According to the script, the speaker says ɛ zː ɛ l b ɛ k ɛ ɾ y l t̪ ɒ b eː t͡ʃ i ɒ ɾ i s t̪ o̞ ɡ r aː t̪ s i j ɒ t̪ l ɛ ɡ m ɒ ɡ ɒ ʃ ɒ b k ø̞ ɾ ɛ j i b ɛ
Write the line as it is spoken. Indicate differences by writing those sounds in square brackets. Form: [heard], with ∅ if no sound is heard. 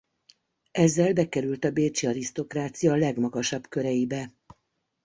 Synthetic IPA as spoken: ɛ zː ɛ l b ɛ k ɛ ɾ y l t̪ ɒ b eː t͡ʃ i ɒ ɾ i s t̪ o̞ [k] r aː t̪ s i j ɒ [∅] l ɛ ɡ m ɒ ɡ ɒ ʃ ɒ b k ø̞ ɾ ɛ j i b ɛ